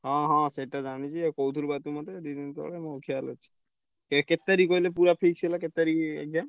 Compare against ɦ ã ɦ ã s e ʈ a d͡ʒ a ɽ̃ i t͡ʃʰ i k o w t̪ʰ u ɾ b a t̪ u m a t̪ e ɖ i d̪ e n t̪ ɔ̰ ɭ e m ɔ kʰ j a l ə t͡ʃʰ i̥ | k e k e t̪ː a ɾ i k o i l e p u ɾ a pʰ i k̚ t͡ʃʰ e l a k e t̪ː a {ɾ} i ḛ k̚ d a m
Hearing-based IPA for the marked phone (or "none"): ɾ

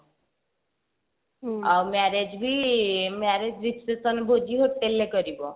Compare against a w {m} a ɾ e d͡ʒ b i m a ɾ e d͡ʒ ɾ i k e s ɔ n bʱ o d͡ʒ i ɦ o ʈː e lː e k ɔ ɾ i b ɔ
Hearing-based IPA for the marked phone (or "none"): m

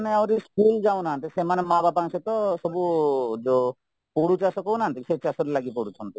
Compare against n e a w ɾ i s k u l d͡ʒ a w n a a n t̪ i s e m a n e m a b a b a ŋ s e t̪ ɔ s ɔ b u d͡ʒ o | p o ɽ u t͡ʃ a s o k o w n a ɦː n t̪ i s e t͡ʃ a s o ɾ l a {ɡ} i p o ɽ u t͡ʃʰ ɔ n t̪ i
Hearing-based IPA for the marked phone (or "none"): ɡ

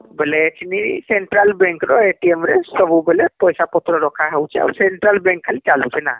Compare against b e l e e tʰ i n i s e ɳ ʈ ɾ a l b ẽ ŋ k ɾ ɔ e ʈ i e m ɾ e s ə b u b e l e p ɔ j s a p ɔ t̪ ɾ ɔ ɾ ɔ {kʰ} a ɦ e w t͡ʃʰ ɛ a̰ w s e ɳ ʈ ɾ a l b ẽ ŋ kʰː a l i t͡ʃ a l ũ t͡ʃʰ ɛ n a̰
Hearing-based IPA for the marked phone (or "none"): kʰ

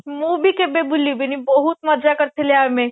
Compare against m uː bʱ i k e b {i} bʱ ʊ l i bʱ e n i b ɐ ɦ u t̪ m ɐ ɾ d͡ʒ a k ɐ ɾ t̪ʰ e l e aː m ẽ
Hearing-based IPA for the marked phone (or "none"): e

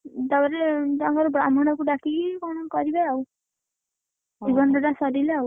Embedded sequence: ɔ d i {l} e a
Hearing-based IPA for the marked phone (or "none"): l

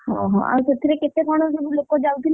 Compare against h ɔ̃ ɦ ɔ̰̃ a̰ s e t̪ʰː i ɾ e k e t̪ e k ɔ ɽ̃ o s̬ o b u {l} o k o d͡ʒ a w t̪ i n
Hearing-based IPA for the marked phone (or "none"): l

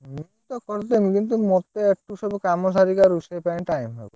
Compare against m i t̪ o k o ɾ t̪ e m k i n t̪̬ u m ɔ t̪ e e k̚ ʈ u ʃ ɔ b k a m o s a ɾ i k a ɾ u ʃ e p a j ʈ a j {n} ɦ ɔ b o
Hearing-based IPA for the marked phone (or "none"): m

